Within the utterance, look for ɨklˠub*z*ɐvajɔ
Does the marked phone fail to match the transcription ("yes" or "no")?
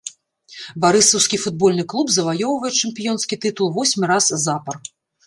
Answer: no